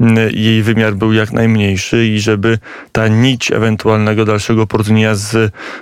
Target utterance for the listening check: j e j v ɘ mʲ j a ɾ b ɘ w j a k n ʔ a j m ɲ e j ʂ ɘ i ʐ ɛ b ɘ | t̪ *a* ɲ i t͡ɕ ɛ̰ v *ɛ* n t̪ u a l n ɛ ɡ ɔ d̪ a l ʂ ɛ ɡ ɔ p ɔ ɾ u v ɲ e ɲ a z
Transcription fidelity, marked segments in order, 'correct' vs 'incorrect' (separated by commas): correct, correct